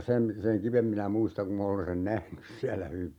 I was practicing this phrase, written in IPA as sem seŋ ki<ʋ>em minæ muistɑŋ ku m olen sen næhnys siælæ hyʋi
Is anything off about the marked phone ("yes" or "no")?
no